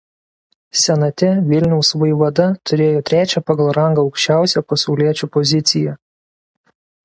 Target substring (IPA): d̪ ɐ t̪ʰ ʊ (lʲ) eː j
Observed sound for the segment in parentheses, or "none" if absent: ɾʲ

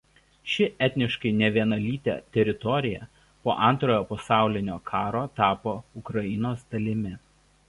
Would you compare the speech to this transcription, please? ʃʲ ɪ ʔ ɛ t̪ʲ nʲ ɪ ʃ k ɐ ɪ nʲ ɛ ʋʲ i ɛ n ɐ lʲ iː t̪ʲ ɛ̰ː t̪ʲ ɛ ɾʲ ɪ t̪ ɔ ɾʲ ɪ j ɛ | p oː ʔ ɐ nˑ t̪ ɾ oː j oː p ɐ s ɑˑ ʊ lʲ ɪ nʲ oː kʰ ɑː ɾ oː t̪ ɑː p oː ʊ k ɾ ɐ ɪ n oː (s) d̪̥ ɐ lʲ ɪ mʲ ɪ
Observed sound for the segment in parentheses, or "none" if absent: s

